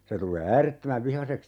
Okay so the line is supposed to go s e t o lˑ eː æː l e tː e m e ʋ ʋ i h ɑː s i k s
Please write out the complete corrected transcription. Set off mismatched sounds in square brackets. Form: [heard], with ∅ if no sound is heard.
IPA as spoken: s e t [u] lˑ eː æː [r] e tː [ø] m [æ] ʋ ʋ i h [ɑ] s [e] k s

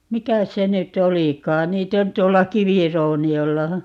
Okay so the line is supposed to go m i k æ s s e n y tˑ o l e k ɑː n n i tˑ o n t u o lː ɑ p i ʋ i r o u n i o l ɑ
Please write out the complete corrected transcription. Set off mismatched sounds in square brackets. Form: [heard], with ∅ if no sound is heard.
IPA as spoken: m i k æ s s e n y tˑ o l [i] k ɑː n n [iː] tˑ o n t u o lː ɑ [k] i ʋ i r o u n i o [lː] ɑ

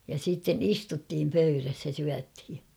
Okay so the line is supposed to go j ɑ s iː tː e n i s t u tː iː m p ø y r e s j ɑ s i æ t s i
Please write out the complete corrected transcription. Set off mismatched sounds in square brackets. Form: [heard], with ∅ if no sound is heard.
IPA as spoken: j ɑ s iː tː e n i s t u tː iː m p ø y r [æ] s j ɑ s [y] æ t [h] i

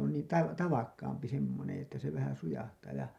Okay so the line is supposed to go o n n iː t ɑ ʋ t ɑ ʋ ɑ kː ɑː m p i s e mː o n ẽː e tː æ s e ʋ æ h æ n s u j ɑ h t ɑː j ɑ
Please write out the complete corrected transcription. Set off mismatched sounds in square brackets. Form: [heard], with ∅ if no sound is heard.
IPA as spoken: o n n iː t ɑ ʋ t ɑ ʋ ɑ kː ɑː m p i s e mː o n ẽː e tː æ s e ʋ æ h æ n s u j ɑ h t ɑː j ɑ

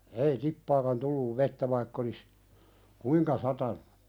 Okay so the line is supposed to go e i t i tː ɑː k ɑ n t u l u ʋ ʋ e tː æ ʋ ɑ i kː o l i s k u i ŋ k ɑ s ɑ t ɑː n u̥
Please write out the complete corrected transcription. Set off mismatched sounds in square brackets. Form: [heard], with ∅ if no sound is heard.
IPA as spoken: e i t i [pː] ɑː k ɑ n t u [lː] u ʋ ʋ e tː æ ʋ ɑ i kː o l i s k u i ŋ k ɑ s ɑ t [ɑ] n u̥

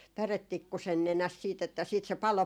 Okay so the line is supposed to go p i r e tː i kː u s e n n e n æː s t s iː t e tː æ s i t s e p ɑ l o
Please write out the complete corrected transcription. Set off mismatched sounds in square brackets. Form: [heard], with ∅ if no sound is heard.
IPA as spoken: p [æ] r e tː i kː u s e n n e n [æ] s t s iː t e tː æ s [iː] t s e p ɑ l o

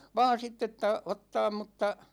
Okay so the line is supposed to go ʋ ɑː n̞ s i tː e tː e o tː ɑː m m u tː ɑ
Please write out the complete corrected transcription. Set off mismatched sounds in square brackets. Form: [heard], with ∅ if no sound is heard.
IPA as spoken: ʋ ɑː n̞ s i tː e tː [æ] o tː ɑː m m u tː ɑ

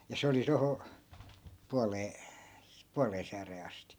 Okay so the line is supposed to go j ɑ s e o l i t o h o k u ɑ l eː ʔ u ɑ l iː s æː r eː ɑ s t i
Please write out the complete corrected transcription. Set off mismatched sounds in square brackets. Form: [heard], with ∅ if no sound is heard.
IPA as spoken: j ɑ s e o l i t o h o [p] u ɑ l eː [p] u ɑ l [eː] s æː r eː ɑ s t i

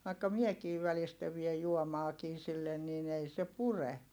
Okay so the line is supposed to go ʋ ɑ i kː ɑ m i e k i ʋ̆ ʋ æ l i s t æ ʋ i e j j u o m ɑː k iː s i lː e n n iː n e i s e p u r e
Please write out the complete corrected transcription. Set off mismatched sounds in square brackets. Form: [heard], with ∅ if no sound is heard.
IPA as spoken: ʋ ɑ i kː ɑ m i e k [iː] ʋ̆ ʋ æ l i s t æ ʋ i e j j u o m ɑː k iː s i lː e n n iː n e i s e p u r e

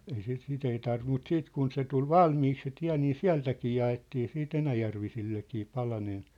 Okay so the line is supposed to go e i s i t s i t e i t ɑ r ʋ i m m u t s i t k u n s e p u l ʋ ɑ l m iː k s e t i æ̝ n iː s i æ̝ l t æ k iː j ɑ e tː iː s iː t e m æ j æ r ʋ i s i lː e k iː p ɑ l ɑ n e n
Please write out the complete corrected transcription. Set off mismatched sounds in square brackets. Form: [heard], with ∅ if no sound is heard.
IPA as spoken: e i s i t s i t e i t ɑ r ʋ i m m u t s [iː] t k u n s e [t] u l ʋ ɑ l m iː k s e t i æ̝ n iː s i æ̝ l t æ k iː j ɑ e tː iː s iː t e [n] æ j æ r ʋ i s i lː e k iː p ɑ l ɑ n e n

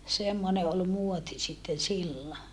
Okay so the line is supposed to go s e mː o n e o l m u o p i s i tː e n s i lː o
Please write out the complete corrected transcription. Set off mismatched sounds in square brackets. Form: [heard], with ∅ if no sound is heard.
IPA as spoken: s e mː o n e o l m u o [t] i s i tː e n s i lː o

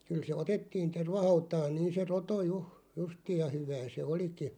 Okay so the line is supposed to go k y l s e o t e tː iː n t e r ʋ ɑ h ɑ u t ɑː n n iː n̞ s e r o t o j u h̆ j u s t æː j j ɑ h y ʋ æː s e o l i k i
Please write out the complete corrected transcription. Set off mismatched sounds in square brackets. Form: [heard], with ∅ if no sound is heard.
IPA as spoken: k y l s e o t e tː iː n t e r ʋ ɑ h ɑ u t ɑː n n iː n̞ s e r o t o j u h̆ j u s t [iː] j j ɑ h y ʋ æː s e o l i k i

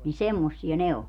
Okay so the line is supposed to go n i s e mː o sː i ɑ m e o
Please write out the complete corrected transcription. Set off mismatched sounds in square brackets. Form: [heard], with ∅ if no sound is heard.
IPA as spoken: n i s e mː o sː i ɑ [n] e o

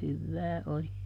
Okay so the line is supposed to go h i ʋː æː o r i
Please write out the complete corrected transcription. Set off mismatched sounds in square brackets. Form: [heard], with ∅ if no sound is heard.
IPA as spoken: h [y] ʋː æː o [l] i

